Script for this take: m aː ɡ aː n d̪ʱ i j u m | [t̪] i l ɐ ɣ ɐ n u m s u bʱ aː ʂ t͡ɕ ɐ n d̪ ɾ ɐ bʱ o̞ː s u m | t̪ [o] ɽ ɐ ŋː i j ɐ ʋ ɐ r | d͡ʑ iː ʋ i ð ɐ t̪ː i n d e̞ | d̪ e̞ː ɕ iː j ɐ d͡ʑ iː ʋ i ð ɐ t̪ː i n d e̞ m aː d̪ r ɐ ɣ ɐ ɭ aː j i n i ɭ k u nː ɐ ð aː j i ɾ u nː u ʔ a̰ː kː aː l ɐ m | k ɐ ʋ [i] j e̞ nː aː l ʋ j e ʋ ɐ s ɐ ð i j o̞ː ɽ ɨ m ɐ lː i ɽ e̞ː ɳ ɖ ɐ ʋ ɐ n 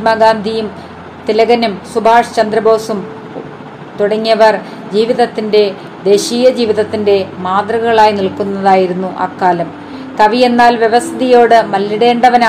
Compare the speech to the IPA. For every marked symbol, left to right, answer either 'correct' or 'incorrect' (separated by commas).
correct, incorrect, correct